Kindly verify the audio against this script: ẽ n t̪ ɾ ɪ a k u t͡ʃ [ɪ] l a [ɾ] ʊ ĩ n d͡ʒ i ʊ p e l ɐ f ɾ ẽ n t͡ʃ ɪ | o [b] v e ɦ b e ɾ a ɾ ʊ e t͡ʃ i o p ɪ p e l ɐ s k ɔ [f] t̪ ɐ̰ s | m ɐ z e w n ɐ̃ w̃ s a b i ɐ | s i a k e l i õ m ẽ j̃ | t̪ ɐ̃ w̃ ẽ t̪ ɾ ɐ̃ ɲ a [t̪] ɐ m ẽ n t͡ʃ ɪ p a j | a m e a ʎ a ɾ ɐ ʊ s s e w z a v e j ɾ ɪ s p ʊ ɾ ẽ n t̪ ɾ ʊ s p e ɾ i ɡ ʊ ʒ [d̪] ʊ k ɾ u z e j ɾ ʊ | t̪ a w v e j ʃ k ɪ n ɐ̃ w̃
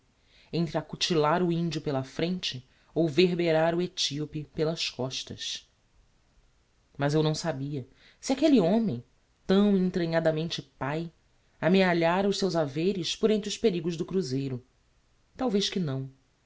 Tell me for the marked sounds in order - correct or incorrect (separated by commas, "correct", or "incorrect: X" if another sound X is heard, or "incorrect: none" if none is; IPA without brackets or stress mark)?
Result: incorrect: i, correct, incorrect: w, incorrect: ʃ, incorrect: d̪, correct